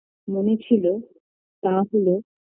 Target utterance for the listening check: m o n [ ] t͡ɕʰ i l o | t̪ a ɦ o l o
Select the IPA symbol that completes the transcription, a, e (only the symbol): e